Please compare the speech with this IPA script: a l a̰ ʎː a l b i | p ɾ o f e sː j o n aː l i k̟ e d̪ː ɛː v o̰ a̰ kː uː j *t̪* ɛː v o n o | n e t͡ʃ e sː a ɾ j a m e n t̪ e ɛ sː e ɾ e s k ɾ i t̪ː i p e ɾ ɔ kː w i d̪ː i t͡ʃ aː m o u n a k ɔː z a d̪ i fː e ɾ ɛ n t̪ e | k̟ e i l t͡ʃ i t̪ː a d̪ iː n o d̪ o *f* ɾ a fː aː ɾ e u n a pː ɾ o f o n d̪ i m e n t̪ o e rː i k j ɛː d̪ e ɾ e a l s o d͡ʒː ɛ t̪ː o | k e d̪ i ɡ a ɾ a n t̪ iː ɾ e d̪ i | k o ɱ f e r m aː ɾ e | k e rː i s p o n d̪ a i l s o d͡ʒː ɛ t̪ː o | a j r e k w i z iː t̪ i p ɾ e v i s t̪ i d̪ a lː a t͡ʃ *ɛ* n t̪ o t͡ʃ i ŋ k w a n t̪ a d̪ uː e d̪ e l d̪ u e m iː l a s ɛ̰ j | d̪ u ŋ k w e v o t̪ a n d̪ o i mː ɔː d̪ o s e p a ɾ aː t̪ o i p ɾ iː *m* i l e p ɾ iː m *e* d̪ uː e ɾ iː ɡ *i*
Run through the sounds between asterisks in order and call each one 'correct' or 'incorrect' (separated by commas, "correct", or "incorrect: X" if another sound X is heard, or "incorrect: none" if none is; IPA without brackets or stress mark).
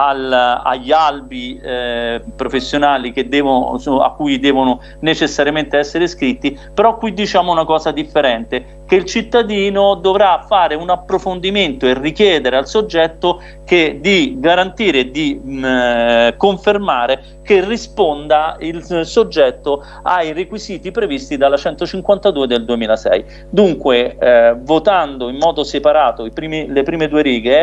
incorrect: d̪, incorrect: v, correct, correct, correct, incorrect: e